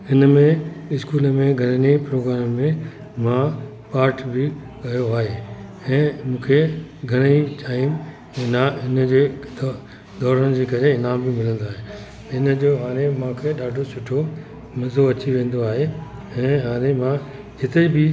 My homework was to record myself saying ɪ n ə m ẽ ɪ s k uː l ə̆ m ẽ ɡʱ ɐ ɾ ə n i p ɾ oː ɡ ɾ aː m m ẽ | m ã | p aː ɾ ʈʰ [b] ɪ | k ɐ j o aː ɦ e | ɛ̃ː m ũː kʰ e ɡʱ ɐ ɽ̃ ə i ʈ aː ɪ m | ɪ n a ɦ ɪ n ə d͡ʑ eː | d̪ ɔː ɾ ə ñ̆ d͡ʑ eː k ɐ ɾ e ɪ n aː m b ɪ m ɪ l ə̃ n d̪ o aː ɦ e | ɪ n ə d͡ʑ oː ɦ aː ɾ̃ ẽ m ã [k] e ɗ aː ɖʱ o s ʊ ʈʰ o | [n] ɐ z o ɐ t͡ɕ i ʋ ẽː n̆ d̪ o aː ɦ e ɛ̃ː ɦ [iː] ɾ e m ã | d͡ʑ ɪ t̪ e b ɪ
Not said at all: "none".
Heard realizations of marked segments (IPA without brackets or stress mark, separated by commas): b, kʰ, m, aː